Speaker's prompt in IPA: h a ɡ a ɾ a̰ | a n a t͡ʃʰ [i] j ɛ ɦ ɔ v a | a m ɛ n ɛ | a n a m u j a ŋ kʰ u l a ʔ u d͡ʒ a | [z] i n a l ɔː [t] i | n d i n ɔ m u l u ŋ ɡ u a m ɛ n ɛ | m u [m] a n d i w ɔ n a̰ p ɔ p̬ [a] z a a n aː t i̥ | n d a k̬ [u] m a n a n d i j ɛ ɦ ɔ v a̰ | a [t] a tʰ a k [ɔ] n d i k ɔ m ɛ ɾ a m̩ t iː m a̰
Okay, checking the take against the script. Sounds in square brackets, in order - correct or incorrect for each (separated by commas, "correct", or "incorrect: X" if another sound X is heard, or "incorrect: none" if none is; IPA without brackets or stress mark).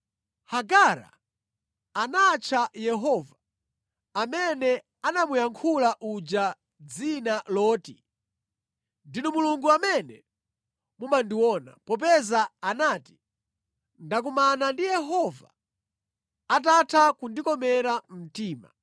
incorrect: a, incorrect: d͡z, correct, correct, incorrect: ɛ, correct, correct, incorrect: u